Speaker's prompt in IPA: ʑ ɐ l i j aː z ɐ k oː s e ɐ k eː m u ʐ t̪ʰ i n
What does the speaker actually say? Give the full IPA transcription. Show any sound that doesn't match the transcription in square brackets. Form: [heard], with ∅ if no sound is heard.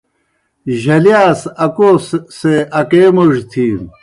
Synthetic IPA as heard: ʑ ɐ l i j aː [s] ɐ k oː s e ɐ k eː m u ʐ t̪ʰ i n